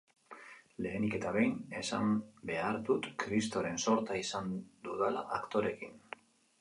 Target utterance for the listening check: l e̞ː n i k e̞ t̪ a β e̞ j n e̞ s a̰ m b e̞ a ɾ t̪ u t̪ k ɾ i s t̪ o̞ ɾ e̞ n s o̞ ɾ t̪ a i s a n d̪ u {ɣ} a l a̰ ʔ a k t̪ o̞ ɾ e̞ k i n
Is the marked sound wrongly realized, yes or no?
yes